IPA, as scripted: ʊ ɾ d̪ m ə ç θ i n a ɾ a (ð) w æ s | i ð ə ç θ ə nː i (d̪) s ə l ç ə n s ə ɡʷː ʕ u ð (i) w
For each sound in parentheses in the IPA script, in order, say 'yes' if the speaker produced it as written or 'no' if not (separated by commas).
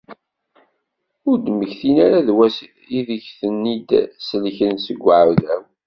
yes, yes, no